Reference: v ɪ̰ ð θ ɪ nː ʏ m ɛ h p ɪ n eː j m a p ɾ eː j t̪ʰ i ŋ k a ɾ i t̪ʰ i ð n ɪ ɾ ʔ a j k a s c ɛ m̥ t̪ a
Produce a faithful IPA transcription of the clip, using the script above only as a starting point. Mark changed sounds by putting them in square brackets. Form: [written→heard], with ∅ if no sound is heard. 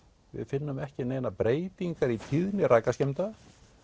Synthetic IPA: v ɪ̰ ð [θ→f] ɪ nː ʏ m ɛ h [p→c] ɪ n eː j [m→n] a p ɾ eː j [t̪ʰ→t̪] i ŋ k a ɾ i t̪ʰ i ð n ɪ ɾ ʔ a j k a s c ɛ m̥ t̪ a